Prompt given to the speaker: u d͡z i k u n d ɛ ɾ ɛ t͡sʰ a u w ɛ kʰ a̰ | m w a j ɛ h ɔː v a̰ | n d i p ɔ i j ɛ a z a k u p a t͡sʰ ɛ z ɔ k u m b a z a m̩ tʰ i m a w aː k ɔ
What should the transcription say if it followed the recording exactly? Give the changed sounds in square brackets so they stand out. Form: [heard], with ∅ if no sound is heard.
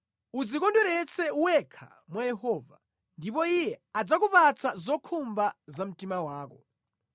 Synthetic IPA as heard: u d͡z i k [ɔ] n d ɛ ɾ ɛ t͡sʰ [ɛ] u w ɛ kʰ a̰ | m w a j ɛ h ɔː v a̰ | n d i p ɔ i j ɛ a [d͡z] a k u p a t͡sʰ [a] z ɔ [kʰ] u m b a z a m̩ [t] i m a w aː k ɔ

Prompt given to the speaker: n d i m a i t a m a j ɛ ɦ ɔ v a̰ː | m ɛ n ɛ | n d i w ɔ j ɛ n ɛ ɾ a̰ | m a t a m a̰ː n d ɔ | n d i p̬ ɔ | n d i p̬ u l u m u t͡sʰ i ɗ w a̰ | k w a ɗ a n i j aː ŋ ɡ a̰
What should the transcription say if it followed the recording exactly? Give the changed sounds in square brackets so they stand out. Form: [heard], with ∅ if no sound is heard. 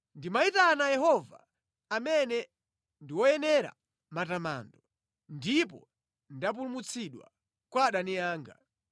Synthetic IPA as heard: n d i m a i t a [n] a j ɛ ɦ ɔ v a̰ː | m ɛ n ɛ | n d i w ɔ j ɛ n ɛ ɾ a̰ | m a t a m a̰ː n d ɔ | n d i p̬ ɔ | n d [a] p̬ u l u m u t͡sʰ i ɗ w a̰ | k w a ɗ a n i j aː ŋ ɡ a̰

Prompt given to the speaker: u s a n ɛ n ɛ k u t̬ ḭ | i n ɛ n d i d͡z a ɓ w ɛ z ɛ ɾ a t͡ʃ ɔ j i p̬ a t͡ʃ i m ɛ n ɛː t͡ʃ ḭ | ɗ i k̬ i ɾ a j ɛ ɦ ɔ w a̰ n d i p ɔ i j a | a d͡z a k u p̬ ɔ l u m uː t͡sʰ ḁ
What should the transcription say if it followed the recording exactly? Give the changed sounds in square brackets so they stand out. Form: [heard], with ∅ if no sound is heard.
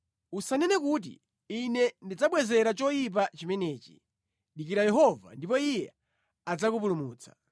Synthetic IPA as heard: u s a n ɛ n ɛ k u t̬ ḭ | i n ɛ n d i d͡z a ɓ w ɛ z ɛ ɾ a t͡ʃ ɔ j i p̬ a t͡ʃ i m ɛ n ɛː t͡ʃ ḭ | ɗ i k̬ i ɾ a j ɛ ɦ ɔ [v] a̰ n d i p ɔ i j [ɛ] | a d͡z a k u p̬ [u] l u m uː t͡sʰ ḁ

